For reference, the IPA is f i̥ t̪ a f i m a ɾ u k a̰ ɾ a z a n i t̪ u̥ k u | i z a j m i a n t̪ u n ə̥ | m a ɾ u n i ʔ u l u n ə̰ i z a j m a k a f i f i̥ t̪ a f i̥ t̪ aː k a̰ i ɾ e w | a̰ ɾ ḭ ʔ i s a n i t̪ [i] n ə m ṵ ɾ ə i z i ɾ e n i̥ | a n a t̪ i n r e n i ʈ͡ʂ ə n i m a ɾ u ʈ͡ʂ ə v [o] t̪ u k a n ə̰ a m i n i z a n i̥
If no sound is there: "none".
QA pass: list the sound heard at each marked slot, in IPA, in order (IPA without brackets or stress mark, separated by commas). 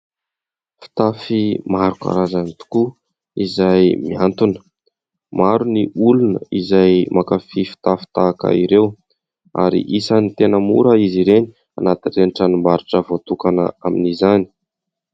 e, o